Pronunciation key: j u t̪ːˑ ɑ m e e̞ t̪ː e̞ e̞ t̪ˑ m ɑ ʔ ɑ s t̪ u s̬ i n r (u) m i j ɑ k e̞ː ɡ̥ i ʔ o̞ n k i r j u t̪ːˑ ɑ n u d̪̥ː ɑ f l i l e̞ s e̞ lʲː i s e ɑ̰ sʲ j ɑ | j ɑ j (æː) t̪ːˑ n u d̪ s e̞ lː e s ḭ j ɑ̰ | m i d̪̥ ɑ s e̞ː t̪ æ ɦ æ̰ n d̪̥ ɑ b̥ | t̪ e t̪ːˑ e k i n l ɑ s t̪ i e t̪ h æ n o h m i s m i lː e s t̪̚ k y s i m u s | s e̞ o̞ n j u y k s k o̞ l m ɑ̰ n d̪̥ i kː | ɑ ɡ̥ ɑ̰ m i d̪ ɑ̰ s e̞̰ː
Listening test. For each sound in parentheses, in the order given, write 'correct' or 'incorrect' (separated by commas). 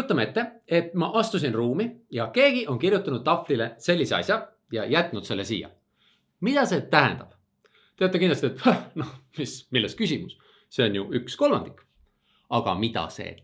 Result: incorrect, incorrect